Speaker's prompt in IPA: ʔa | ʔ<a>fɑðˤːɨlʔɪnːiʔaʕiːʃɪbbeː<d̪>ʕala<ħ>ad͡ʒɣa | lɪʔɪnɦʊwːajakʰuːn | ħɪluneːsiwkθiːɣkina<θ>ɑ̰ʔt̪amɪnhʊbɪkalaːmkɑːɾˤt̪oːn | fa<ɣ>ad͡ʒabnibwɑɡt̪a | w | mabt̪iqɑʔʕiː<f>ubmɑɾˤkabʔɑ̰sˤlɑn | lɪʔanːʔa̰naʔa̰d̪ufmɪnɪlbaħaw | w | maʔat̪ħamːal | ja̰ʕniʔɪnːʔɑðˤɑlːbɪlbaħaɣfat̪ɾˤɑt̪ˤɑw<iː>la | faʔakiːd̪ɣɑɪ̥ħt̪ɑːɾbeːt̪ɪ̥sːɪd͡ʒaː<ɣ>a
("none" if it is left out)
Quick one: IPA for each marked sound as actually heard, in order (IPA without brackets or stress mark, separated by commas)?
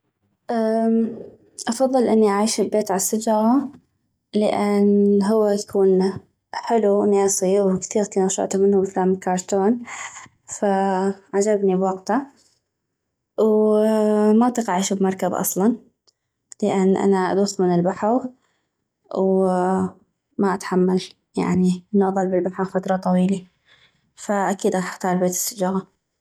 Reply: ɑ, t̪, s, ʃ, ʕ, ʃ, iː, ɣ